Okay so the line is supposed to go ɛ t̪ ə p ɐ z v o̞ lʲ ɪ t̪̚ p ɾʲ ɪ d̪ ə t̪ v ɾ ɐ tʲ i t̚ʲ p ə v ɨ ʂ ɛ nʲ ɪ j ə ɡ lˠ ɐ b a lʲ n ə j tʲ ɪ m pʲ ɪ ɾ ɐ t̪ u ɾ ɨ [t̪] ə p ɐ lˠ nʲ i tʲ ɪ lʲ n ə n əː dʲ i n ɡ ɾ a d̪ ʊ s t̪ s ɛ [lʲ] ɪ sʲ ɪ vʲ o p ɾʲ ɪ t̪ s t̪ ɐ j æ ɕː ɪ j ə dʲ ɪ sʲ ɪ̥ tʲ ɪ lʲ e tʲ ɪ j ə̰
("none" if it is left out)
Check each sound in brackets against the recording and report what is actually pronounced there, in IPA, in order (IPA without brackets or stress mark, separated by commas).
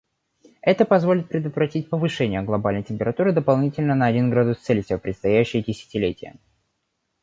d̪, lʲ